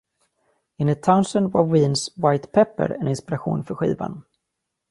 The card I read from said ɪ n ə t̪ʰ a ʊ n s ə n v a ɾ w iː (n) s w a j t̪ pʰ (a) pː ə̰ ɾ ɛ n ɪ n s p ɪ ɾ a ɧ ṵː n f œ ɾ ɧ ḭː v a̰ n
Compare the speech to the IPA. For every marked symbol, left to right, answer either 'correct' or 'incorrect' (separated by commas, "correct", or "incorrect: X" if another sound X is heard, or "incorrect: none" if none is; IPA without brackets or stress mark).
correct, incorrect: ɛ